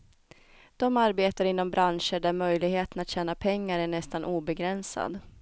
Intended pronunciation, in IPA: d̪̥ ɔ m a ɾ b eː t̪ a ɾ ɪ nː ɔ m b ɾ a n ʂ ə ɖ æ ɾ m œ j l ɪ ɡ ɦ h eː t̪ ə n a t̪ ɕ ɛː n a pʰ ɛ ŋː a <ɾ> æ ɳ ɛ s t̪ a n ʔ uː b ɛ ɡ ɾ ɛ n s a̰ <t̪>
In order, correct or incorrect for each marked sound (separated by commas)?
correct, incorrect